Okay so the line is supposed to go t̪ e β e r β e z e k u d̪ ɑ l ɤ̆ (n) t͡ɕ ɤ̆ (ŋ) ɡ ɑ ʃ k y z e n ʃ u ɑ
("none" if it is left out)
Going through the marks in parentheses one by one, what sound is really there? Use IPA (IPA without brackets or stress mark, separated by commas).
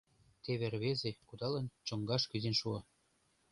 n, ŋ